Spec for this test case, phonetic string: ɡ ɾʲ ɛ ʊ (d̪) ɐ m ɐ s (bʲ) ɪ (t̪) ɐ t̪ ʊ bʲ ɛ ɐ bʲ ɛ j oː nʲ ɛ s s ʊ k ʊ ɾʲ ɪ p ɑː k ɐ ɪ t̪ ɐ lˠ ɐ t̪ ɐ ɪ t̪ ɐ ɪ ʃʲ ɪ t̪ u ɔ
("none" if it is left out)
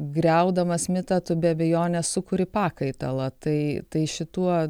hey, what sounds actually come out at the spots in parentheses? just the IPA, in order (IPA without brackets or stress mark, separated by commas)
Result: d̪, mʲ, t̪